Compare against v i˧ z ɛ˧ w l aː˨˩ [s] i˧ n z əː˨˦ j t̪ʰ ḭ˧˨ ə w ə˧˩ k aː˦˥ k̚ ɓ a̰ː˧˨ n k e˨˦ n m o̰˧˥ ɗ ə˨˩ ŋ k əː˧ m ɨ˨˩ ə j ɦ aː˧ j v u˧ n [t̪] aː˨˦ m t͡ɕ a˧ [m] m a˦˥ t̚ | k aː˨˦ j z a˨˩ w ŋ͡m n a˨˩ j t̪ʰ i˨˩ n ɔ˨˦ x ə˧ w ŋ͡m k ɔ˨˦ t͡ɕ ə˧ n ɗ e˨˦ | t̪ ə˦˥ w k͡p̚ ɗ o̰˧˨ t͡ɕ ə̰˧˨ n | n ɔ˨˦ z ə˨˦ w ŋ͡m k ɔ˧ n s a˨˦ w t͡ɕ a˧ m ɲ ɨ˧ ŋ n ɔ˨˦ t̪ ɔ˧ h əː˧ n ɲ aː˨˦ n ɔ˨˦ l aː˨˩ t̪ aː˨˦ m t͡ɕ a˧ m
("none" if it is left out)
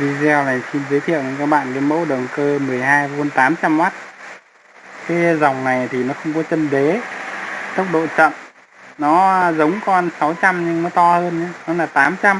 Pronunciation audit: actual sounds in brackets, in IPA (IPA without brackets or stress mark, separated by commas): s, t̪, m